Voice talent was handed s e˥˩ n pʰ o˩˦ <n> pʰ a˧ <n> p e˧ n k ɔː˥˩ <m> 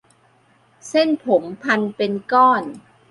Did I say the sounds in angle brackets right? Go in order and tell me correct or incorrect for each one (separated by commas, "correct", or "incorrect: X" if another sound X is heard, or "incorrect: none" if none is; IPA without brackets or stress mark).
incorrect: m, correct, incorrect: n